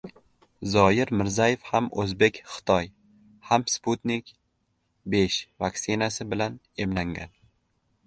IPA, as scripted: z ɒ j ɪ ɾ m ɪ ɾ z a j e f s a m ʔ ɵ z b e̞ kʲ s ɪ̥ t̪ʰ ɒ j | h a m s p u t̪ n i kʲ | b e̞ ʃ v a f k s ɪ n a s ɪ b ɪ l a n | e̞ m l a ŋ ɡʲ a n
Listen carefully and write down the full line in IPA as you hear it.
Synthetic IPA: z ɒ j ɪ ɾ m ɪ ɾ z a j e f h a m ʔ ɵ z b e̞ kʲ χ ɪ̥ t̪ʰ ɒ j | h a m s p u t̪ n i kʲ | b e̞ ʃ v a k s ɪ n a s ɪ b ɪ l a n | e̞ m l a ŋ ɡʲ a n